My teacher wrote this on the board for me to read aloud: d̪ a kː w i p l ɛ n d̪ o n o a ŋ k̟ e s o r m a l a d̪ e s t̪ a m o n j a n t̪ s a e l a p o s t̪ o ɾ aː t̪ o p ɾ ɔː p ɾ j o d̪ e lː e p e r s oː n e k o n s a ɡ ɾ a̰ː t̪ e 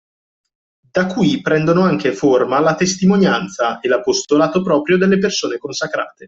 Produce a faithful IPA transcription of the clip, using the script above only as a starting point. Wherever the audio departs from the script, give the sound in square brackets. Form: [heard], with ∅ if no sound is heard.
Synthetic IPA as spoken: d̪ a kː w i p [ɾ] ɛ n d̪ o n o a ŋ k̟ e [f] o r m a l a [t̪] e s t̪ [i] m o n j a n t̪ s a e l a p o s t̪ o [l] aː t̪ o p ɾ ɔː p ɾ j o d̪ e lː e p e r s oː n e k o n s a [k] ɾ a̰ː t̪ e